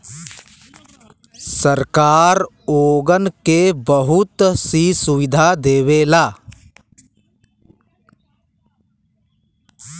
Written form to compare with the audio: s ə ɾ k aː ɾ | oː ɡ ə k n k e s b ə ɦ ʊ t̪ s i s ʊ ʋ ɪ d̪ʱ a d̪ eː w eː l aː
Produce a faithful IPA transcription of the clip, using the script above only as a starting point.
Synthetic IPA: s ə ɾ k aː ɾ | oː ɡ ə n k e b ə ɦ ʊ t̪ s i s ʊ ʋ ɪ d̪ʱ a d̪ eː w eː l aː